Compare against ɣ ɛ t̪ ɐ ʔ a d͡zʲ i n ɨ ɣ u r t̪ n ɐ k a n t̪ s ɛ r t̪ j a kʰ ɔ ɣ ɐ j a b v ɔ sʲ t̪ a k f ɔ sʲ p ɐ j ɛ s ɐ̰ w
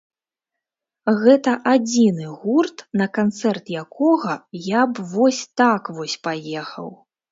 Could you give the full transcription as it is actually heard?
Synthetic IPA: ɣ ɛ t̪ ɐ ʔ a d͡zʲ i n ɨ ɣ u r t̪ n ɐ k a n t̪ s ɛ r t̪ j a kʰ ɔ ɣ ɐ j a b v ɔ sʲ t̪ a k v ɔ sʲ p a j ɛ x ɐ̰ w